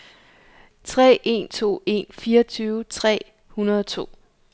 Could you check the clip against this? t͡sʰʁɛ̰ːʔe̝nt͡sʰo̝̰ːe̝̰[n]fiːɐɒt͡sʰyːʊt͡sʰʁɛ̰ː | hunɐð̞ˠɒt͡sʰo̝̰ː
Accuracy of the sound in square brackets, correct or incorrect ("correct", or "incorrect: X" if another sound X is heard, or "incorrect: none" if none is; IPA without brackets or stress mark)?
correct